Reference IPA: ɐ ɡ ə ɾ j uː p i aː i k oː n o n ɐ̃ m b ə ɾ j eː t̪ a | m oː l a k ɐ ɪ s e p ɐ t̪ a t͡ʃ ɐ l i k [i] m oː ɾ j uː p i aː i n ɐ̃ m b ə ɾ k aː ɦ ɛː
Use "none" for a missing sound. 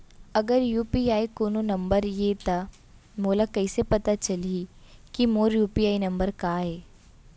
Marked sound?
i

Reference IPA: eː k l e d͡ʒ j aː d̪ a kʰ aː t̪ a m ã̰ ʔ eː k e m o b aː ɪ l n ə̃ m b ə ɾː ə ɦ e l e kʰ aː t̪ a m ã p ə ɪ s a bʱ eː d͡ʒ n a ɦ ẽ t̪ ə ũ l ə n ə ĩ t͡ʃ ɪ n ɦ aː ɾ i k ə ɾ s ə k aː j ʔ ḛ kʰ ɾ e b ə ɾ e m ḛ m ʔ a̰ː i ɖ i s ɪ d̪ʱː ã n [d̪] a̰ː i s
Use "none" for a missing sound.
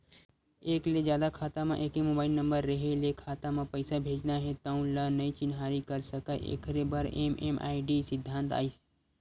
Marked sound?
t̪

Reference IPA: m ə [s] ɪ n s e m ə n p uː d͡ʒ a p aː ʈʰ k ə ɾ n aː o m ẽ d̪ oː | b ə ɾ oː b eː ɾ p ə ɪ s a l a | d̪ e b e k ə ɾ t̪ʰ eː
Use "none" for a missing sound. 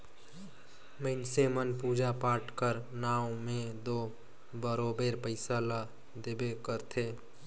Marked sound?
none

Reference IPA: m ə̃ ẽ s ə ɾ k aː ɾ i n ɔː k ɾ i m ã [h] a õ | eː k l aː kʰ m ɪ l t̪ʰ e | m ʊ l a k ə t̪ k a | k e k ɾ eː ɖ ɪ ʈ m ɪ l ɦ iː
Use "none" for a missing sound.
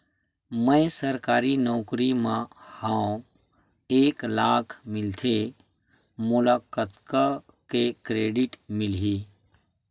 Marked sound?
h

